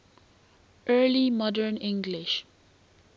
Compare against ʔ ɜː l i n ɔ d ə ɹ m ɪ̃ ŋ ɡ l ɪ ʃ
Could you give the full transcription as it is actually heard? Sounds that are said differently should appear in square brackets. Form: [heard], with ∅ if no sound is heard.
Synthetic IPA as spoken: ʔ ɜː l i [m] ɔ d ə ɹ [n] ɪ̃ ŋ ɡ l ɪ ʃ